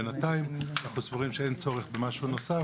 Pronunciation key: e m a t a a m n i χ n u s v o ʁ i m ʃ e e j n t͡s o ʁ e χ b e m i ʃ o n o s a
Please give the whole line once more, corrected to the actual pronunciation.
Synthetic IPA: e n a t a i m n a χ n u s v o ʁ i m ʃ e e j n t͡s o ʁ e χ b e m a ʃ u n o s a